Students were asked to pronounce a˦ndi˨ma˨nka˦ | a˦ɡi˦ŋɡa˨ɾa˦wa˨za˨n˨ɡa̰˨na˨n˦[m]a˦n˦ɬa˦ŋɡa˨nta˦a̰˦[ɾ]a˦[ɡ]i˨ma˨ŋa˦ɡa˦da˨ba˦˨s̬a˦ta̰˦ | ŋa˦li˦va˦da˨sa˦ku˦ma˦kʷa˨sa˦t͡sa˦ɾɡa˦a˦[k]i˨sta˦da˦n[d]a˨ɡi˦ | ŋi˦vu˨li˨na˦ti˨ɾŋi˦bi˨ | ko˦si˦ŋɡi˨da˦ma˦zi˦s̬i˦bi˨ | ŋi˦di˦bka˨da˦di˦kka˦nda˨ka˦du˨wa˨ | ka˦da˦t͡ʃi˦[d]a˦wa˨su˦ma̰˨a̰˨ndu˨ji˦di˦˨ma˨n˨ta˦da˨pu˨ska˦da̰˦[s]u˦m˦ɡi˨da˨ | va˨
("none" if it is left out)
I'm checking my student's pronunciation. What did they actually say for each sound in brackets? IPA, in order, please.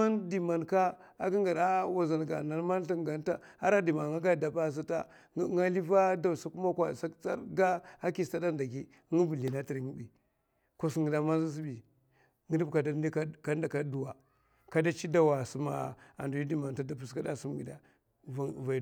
m, ɾ, d, k, d, d, s

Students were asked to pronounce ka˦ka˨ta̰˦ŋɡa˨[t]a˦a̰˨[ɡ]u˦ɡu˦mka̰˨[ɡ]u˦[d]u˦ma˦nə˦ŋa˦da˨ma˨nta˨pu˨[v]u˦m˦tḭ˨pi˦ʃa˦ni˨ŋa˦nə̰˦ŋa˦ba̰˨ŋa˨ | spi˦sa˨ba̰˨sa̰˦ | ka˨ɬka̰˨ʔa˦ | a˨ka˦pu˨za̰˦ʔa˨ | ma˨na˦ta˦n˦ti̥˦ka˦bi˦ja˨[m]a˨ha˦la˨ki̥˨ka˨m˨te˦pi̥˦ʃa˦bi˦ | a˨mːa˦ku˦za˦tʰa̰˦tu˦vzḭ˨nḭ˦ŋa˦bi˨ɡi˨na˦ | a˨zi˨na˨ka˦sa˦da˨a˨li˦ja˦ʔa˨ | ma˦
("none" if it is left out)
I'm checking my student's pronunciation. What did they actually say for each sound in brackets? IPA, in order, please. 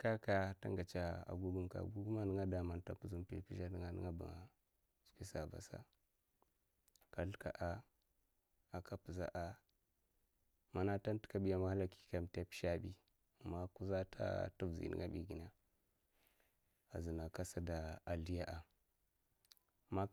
t͡ʃ, ɡ, ɡ, ɡ, z, m

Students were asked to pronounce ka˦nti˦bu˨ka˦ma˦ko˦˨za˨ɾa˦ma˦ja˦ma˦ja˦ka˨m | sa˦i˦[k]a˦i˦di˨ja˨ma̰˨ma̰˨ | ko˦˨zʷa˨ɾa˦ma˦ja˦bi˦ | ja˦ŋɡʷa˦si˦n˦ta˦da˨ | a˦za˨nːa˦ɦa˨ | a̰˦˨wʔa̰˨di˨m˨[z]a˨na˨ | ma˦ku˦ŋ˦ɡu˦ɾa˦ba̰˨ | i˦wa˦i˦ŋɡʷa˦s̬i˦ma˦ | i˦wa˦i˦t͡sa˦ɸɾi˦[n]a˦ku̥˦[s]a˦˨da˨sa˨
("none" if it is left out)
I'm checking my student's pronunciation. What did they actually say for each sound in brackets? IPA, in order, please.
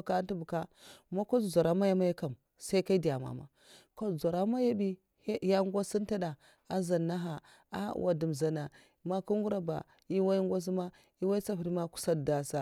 k, z, m, s

